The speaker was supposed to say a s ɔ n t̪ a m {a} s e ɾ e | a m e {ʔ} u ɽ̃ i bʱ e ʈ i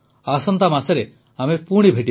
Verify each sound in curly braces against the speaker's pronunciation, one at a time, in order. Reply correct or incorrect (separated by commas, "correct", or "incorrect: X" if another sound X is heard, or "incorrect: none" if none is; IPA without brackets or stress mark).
correct, incorrect: p